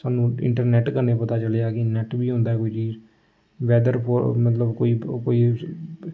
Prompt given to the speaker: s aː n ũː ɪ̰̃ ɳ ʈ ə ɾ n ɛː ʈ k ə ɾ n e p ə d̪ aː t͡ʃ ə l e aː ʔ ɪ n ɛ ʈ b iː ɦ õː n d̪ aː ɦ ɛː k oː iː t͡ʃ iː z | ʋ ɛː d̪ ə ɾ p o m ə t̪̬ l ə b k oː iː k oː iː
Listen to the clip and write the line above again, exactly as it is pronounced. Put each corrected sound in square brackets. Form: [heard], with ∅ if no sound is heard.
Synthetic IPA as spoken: s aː n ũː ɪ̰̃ ɳ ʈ ə ɾ n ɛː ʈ k ə ɾ n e p ə [t̪] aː t͡ʃ ə l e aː [k] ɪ n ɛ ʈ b iː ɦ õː n d̪ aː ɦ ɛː k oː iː t͡ʃ iː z | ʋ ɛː d̪ ə ɾ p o m ə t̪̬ l ə b k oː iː k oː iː